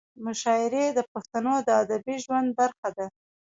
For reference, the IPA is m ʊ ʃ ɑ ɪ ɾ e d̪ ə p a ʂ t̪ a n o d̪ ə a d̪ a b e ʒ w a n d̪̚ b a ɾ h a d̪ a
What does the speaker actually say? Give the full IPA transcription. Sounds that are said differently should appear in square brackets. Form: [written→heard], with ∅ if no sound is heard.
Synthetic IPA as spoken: m ʊ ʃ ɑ ɪ ɾ e d̪ ə p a [ʂ→x] t̪ a n o d̪ ə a d̪ a b [e→i] ʒ w a n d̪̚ b a ɾ [h→x] a d̪ a